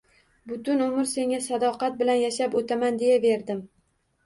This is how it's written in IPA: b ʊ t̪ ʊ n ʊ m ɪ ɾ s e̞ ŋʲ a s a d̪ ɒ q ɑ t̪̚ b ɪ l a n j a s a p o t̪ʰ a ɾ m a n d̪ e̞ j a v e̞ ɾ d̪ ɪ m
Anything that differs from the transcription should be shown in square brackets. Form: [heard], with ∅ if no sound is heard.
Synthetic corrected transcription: b ʊ t̪ ʊ n ʊ m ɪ ɾ s e̞ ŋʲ a s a d̪ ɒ q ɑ t̪̚ b ɪ l a n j a [ʃ] a p o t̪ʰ a [∅] m a n d̪ e̞ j a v e̞ ɾ d̪ ɪ m